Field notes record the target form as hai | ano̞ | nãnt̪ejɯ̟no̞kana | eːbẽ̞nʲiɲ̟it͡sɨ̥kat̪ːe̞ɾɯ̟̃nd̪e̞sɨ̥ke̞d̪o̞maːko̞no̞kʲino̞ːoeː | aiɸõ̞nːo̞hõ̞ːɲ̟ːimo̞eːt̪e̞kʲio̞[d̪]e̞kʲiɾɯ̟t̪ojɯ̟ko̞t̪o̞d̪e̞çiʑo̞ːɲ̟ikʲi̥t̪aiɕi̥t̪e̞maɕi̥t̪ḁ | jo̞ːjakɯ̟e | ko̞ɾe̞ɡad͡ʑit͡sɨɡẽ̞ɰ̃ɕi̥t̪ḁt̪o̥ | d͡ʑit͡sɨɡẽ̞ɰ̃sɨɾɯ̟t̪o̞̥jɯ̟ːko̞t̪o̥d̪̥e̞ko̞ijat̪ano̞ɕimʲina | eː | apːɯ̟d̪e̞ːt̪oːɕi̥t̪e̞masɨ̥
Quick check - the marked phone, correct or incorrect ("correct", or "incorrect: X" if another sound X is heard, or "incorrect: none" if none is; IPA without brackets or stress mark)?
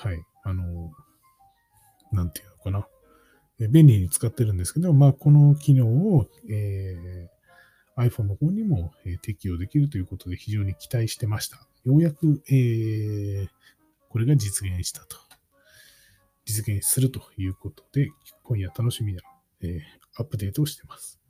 correct